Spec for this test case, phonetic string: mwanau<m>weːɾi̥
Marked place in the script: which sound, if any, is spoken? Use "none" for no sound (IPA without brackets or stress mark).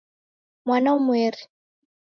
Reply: m